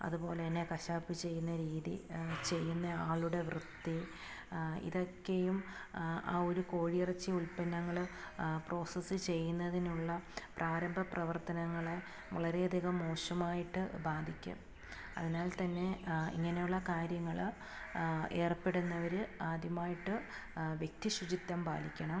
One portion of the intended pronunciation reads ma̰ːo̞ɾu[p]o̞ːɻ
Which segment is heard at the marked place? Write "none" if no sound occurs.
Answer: k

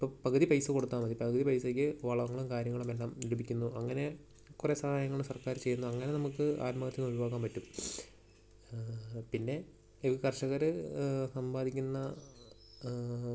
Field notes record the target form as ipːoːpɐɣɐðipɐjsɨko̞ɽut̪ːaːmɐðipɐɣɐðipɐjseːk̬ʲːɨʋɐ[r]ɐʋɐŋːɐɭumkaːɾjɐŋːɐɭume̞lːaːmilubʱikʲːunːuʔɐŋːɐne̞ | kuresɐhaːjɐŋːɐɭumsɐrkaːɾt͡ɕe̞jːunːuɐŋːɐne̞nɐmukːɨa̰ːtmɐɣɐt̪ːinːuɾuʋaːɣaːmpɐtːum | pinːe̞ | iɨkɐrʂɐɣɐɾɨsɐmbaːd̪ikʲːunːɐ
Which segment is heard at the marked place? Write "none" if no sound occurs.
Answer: ɭ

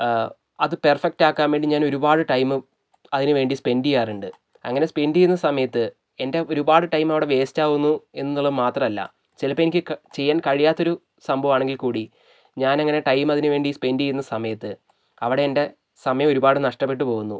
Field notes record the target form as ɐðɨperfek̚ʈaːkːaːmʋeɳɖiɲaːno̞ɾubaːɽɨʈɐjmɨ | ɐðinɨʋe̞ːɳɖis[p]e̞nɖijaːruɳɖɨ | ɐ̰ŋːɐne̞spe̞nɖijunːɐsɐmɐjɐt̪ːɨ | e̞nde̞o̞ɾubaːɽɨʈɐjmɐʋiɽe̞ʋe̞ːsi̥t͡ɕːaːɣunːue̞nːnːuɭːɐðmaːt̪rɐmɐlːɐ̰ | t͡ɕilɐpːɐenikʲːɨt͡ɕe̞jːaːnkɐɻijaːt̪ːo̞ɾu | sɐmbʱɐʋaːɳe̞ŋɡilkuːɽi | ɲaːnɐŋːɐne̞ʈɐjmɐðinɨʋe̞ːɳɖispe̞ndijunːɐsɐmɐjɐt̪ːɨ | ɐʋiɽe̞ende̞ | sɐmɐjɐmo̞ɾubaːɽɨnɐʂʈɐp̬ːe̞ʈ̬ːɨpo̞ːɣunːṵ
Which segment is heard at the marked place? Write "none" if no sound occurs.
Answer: p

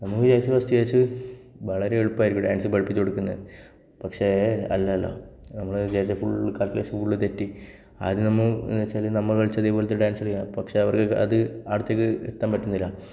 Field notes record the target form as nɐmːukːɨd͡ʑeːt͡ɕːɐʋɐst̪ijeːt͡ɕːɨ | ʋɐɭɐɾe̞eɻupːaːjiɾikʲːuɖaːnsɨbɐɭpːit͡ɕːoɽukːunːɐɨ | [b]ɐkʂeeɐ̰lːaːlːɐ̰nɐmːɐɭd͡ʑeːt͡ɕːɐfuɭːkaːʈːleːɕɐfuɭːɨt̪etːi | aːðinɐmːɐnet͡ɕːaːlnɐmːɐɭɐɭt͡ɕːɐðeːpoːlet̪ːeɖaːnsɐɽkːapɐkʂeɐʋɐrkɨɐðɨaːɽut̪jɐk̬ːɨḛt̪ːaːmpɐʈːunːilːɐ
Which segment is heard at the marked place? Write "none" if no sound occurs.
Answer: p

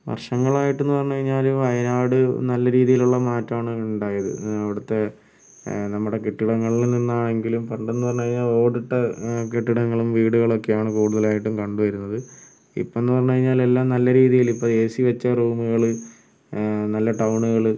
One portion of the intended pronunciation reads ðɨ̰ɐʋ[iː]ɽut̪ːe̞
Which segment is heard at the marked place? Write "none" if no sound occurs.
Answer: i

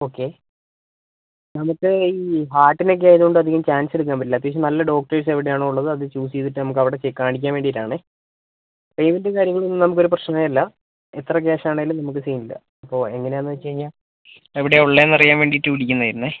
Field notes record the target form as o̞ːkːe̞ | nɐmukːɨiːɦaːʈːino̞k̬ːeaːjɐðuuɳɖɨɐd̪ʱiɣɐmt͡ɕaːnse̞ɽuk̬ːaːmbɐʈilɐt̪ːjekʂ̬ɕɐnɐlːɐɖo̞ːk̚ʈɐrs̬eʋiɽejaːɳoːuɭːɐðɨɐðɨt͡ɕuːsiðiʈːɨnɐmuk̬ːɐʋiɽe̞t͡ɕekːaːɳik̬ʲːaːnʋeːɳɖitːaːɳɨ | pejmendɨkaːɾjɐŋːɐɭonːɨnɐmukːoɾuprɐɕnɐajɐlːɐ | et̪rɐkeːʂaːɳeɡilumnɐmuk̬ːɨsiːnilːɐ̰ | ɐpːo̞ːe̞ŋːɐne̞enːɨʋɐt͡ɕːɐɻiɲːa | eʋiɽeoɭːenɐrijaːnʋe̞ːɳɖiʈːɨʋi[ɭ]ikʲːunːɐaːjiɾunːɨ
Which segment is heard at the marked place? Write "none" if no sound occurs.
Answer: ɽ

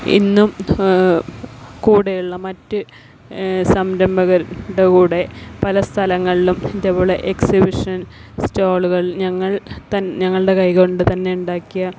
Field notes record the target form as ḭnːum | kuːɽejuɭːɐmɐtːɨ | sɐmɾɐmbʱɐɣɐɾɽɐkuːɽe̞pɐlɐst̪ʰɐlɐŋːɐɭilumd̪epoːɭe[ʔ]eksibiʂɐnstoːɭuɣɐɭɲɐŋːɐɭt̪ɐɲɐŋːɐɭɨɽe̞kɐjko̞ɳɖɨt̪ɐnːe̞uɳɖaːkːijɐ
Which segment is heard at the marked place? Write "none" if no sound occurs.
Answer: ʔ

